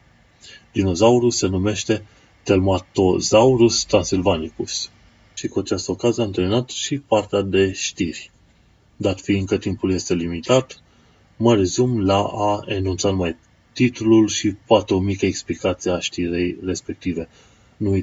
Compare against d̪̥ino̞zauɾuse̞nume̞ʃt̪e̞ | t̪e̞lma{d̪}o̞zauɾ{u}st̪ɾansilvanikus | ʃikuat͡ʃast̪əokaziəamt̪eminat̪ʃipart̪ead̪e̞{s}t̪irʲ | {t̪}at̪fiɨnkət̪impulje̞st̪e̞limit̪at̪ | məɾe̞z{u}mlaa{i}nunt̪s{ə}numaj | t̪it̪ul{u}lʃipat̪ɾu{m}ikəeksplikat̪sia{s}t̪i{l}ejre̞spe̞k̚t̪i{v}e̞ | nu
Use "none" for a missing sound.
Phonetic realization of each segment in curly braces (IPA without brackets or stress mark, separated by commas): t̪, u, ʃ, d̪, u, e, a, u, m, ʃ, ɾ, v